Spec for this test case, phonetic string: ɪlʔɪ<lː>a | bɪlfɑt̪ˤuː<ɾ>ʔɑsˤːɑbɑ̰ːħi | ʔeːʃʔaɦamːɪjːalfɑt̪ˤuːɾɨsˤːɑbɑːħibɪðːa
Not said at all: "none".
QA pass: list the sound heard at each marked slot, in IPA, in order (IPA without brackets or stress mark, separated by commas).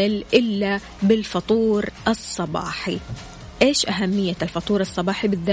lː, ɾ